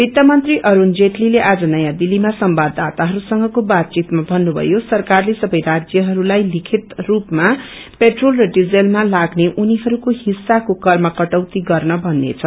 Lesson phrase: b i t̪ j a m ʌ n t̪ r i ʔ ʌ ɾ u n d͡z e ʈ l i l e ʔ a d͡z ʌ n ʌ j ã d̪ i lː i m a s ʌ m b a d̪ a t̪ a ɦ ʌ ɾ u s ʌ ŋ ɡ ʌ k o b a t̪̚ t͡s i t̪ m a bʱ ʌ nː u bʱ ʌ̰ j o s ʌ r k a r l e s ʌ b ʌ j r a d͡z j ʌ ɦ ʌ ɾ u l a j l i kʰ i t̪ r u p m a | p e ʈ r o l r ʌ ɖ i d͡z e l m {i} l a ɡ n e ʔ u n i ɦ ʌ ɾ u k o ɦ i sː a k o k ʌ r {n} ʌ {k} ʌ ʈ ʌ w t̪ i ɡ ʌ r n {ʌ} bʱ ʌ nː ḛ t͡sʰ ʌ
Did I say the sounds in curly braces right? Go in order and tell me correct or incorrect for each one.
incorrect, incorrect, correct, correct

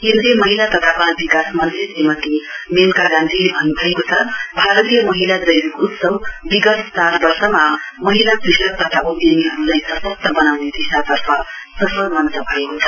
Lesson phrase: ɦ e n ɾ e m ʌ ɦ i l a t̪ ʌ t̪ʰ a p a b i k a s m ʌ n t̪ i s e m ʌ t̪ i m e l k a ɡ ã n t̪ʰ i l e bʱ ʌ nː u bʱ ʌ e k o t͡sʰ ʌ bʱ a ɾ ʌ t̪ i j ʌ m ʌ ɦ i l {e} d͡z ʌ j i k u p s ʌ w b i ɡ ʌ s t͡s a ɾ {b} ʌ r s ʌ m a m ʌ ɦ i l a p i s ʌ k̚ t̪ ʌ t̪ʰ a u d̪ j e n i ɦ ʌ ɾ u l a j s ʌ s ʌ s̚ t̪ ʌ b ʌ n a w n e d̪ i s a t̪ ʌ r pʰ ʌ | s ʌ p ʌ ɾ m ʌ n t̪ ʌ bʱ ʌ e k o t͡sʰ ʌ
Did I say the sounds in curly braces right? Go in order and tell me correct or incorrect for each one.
incorrect, correct

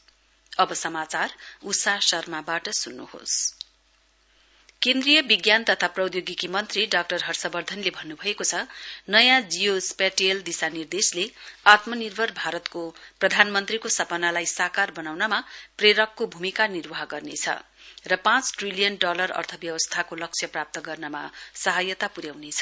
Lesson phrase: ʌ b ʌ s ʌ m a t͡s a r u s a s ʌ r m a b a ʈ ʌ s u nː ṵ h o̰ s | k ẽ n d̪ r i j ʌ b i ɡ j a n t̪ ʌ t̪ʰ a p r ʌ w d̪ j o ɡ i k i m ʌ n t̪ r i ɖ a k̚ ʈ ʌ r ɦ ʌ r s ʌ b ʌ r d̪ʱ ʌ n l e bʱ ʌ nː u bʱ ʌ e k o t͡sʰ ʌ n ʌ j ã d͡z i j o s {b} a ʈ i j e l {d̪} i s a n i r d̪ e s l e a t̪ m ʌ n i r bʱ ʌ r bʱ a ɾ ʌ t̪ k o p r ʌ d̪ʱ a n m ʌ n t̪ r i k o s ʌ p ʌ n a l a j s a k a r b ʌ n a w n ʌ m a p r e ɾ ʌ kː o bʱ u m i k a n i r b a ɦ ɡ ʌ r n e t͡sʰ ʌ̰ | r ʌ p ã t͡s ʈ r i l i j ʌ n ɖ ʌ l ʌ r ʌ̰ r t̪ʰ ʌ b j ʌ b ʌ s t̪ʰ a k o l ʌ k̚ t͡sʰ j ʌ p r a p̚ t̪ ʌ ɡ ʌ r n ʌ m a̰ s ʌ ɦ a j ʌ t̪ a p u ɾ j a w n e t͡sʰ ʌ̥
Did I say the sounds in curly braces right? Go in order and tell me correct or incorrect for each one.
incorrect, correct

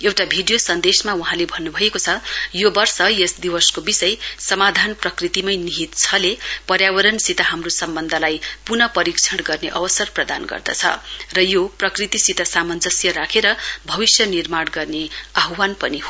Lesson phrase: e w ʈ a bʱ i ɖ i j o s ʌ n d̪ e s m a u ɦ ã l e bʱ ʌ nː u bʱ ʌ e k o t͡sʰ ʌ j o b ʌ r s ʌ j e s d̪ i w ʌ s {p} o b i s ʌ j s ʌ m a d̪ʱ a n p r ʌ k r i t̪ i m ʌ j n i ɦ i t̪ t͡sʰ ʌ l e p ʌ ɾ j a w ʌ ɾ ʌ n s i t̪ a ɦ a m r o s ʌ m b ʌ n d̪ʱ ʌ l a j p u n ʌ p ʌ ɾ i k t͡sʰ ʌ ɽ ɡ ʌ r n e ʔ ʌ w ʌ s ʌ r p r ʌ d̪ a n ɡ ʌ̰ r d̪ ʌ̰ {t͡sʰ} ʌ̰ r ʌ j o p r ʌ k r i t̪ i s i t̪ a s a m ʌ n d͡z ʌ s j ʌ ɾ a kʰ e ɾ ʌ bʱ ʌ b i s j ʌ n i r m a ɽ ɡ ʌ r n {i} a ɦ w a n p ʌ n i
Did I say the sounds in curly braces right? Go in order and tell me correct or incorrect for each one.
incorrect, correct, incorrect

